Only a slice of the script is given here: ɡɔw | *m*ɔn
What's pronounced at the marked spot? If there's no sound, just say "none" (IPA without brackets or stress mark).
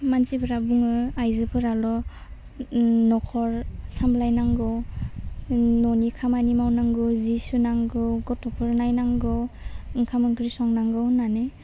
n